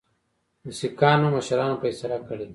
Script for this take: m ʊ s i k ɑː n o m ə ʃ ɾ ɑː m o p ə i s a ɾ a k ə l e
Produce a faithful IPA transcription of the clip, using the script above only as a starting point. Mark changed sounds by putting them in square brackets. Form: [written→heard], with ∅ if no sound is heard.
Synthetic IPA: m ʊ s i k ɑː n o m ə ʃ ɾ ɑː [m→n] o p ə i s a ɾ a k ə [l→ɽ] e